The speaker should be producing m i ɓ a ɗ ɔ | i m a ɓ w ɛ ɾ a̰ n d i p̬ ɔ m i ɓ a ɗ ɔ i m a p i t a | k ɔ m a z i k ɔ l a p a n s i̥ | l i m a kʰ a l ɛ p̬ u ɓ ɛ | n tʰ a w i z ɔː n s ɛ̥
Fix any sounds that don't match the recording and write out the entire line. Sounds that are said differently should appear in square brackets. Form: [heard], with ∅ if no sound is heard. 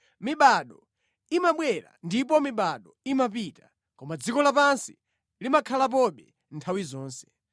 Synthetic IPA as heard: m i ɓ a ɗ ɔ | i m a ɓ w ɛ ɾ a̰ n d i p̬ ɔ m i ɓ a ɗ ɔ i m a p i t a | k ɔ m a [d͡z] i k ɔ l a p a n s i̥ | l i m a kʰ a l [a] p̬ [ɔ] ɓ ɛ | n tʰ a w i z ɔː n s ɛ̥